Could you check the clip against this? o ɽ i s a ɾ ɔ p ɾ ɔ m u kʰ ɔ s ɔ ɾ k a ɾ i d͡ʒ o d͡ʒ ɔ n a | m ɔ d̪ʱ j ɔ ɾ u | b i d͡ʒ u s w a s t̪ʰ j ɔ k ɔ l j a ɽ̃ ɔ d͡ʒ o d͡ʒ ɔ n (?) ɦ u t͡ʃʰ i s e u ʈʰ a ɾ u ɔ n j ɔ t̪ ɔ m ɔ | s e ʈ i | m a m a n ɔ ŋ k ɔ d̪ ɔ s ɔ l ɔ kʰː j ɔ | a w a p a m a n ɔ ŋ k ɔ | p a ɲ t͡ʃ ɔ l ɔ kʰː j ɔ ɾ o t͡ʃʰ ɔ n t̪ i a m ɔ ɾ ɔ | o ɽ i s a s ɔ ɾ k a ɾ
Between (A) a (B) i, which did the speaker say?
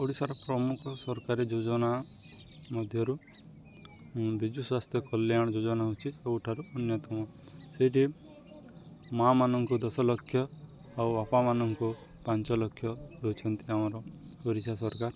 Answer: A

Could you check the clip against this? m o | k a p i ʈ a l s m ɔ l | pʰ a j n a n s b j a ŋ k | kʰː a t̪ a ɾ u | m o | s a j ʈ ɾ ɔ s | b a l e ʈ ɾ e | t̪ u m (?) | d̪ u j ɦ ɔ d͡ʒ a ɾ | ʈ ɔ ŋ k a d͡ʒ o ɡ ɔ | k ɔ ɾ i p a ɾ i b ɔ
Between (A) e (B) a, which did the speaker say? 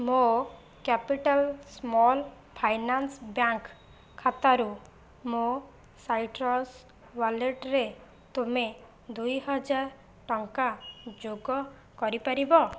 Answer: A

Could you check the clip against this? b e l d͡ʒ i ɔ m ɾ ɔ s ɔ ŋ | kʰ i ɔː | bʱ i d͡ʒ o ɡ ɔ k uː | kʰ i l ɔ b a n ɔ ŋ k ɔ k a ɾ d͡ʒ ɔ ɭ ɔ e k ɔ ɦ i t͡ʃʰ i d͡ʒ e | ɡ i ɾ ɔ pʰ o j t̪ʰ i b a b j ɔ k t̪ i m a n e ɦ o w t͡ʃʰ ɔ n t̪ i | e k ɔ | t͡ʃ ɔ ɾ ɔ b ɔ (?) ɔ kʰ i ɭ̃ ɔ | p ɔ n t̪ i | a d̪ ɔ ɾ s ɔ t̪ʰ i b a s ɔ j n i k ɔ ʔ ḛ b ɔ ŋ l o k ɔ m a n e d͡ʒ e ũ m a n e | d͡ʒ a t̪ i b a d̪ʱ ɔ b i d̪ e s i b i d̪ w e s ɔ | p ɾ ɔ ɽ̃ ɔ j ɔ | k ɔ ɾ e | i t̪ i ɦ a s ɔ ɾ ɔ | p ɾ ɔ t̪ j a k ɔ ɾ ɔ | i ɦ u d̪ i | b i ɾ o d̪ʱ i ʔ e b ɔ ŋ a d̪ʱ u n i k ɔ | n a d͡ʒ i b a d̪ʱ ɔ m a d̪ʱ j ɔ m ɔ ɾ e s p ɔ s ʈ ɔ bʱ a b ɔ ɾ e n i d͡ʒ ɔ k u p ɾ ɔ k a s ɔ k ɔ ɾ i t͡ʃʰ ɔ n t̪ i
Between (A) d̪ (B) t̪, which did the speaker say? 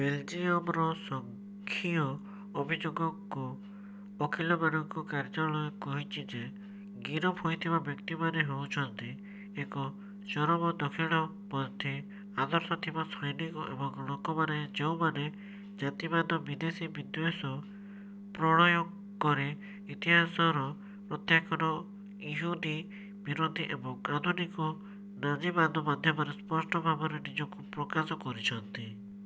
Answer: A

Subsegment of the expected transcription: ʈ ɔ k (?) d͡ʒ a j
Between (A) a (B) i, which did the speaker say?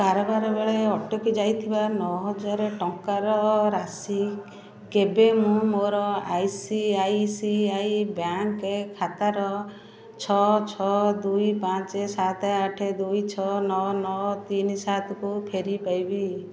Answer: B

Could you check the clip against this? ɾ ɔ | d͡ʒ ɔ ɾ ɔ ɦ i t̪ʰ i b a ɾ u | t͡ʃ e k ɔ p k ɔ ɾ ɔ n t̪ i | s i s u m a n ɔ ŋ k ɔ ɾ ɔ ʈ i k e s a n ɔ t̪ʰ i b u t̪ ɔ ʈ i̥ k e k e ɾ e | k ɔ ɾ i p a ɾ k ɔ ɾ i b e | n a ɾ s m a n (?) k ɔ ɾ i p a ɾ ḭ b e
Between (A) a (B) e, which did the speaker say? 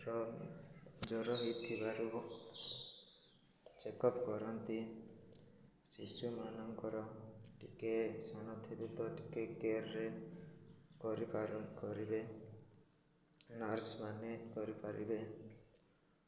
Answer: B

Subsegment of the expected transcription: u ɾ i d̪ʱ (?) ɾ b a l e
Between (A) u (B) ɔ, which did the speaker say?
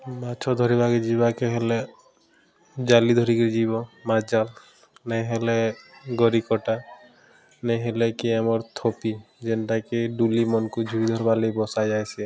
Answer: B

